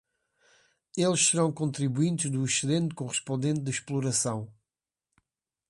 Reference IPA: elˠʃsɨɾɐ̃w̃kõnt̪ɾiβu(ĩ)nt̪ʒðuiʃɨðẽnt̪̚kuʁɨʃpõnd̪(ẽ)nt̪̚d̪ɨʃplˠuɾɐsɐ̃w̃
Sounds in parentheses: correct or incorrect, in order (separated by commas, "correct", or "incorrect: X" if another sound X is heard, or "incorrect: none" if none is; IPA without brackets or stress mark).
correct, correct